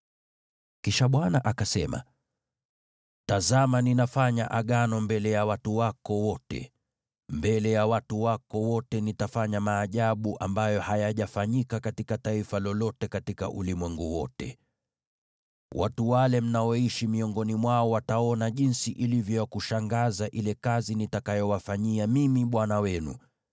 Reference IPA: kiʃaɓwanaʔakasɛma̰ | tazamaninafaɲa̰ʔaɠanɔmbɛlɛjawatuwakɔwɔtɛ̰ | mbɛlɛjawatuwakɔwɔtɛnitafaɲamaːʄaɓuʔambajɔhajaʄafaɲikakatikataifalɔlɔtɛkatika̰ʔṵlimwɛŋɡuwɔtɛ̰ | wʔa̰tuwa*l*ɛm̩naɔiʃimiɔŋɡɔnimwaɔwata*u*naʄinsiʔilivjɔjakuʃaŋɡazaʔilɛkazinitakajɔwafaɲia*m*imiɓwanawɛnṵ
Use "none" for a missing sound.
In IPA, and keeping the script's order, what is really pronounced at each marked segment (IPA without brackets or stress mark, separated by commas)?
l, ɔ, m